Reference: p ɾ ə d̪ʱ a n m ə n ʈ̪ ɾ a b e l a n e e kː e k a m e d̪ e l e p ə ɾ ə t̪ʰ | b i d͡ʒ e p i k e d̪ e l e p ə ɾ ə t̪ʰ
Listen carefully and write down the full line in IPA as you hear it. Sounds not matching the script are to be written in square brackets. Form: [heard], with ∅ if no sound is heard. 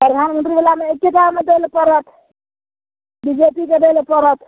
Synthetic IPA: p ɾ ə d̪ʱ a n m ə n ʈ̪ ɾ [i] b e l a [m] e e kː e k a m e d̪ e l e p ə ɾ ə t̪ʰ | b i d͡ʒ e p i k e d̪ e l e p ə ɾ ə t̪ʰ